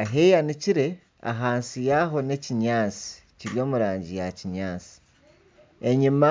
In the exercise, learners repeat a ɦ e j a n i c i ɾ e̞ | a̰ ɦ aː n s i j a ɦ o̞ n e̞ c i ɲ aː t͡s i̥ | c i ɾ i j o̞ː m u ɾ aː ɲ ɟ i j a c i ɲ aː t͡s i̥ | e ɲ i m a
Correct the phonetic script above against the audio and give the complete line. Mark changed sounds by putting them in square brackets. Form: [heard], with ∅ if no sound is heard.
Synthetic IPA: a ɦ e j a n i c i ɾ e̞ | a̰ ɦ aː n s i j a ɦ o̞ n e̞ c i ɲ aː t͡s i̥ | c i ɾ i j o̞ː m u ɾ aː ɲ ɟ i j a c i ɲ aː t͡s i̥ | e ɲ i m a